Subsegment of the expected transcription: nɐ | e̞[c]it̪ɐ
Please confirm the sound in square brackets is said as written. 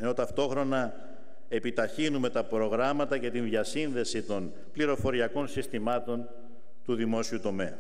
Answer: no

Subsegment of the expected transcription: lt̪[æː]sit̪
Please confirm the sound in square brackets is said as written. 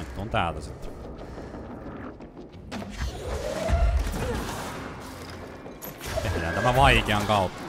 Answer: no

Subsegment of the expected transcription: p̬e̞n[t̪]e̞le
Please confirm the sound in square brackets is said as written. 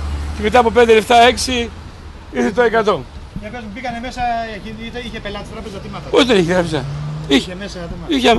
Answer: no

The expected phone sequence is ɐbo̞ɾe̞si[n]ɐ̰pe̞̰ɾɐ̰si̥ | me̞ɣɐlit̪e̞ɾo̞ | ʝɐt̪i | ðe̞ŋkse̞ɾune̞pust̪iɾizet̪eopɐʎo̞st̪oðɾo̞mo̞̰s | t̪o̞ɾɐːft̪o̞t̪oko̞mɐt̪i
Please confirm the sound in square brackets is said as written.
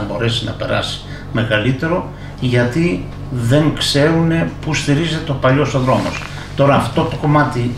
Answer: yes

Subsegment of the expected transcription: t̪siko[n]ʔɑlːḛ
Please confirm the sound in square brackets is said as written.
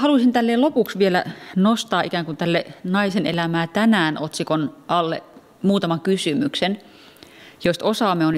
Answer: yes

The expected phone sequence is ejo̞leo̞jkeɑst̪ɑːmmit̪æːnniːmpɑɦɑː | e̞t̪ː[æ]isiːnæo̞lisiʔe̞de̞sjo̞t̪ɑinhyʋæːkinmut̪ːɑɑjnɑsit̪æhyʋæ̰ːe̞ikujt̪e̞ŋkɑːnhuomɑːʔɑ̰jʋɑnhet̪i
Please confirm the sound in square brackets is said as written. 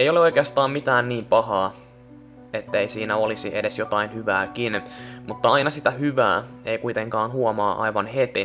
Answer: no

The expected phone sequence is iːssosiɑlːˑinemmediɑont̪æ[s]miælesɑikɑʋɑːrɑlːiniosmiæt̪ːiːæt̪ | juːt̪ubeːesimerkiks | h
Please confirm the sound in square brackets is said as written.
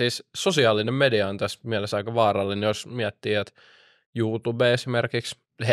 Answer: yes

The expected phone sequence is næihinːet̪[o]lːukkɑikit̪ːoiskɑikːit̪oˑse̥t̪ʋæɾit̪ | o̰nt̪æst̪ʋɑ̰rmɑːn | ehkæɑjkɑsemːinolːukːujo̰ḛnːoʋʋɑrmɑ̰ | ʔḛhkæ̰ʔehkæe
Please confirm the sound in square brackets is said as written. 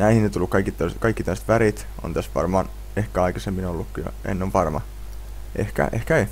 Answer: no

